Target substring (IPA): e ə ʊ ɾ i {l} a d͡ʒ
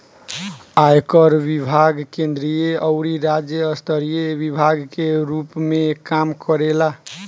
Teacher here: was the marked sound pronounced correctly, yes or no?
no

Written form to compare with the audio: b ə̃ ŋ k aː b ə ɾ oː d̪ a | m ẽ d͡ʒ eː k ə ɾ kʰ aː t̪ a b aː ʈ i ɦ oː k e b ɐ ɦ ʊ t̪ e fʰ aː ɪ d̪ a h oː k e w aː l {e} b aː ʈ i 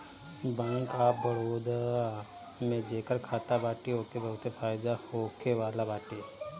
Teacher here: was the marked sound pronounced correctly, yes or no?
no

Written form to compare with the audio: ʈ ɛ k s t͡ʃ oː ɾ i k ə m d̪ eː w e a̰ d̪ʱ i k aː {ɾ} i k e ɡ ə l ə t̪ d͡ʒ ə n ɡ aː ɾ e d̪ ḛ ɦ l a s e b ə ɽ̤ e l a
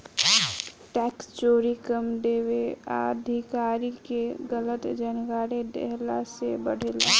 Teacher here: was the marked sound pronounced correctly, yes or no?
yes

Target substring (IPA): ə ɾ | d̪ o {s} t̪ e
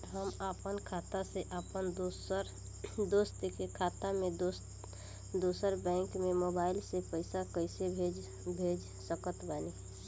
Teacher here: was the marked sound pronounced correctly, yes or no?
yes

